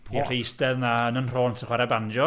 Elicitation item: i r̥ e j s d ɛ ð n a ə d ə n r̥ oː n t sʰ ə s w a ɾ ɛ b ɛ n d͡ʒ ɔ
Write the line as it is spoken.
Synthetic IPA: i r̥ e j s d ɛ ð n a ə n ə n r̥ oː n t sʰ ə χ w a ɾ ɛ b a n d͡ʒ ɔ